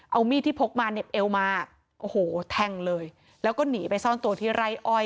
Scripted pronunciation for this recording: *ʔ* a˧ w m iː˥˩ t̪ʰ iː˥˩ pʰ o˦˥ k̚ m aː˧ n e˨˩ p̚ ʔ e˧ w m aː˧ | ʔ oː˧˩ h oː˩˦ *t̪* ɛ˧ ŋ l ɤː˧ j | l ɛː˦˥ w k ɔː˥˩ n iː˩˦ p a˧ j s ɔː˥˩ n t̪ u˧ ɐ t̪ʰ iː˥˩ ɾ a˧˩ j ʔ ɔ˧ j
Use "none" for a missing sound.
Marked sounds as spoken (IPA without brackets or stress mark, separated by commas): ʔ, t̪ʰ